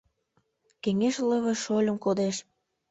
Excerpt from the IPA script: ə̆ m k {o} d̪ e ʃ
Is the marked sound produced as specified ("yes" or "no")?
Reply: yes